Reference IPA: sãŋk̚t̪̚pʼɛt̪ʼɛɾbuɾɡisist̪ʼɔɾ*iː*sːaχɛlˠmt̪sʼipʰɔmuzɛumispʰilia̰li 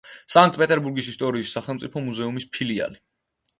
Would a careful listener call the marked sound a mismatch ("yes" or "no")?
no